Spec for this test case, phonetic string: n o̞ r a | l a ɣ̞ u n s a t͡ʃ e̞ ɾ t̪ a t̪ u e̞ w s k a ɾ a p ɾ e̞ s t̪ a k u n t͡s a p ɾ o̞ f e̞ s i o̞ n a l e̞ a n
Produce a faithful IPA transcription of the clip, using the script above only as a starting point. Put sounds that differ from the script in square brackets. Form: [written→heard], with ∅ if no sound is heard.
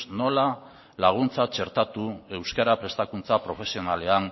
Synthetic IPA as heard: n o̞ [r→l] a | l a ɣ̞ u n [s→t͡s] a t͡ʃ e̞ ɾ t̪ a t̪ u e̞ w s k a ɾ a p ɾ e̞ s t̪ a k u n t͡s a p ɾ o̞ f e̞ s i o̞ n a l e̞ a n